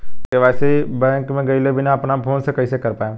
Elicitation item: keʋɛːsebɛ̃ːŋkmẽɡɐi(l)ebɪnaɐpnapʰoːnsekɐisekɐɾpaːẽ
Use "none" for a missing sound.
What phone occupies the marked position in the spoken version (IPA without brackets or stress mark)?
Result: l